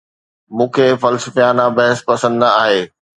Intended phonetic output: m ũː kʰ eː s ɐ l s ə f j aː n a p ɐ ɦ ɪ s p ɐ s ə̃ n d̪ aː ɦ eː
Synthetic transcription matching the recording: m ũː kʰ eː f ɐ l s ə f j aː n a b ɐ ɦ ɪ s p ɐ s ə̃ n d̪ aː ɦ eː